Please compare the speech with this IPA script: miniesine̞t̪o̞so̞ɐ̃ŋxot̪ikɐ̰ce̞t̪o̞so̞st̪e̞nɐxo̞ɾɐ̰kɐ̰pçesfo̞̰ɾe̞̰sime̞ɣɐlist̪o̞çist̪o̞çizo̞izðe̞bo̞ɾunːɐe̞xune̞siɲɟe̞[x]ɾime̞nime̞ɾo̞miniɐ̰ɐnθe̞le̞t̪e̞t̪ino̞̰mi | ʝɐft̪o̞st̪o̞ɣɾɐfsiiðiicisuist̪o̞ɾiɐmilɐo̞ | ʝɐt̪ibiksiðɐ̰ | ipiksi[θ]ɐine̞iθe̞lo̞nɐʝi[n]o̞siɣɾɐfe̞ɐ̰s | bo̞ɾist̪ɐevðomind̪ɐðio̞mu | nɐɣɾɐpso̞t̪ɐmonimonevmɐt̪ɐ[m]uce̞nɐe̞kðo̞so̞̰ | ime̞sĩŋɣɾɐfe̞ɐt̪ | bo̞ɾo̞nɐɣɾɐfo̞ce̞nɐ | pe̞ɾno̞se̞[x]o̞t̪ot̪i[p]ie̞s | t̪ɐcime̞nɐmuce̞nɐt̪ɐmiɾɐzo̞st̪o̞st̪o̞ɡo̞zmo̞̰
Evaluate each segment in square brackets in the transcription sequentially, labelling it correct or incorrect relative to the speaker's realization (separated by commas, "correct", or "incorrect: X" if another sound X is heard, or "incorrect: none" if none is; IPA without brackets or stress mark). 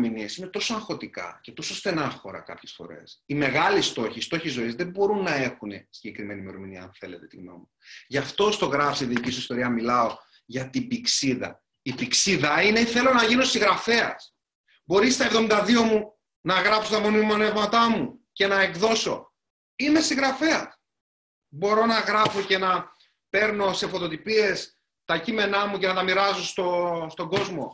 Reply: incorrect: k, incorrect: ð, correct, correct, incorrect: f, correct